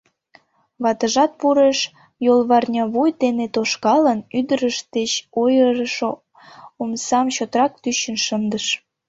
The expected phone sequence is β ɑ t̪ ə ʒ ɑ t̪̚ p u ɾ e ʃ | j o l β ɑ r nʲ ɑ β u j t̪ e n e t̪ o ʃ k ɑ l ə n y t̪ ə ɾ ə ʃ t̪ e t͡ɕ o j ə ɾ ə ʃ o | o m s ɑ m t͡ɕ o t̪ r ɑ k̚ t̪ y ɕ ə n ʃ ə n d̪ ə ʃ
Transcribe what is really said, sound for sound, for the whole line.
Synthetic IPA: β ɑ t̪ ə ʒ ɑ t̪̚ p u ɾ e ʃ | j o l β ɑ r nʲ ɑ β u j t̪ e n e t̪ o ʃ k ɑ l ə n y d̪ ə ɾ ə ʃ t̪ e t͡ɕ o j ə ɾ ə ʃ o | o m s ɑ m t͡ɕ o t̪ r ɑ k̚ t̪ y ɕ ə n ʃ ə n d̪ ə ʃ